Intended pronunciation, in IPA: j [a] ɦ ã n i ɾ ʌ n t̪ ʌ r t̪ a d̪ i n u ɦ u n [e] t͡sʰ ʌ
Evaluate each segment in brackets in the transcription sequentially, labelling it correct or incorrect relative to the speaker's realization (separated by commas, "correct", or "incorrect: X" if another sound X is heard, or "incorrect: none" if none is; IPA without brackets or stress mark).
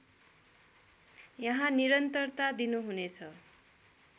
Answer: incorrect: ʌ, correct